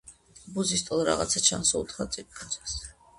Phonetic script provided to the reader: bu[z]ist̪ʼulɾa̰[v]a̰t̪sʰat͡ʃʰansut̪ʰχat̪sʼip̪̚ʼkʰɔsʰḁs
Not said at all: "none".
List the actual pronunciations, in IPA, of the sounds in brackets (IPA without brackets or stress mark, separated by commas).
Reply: z, ʁ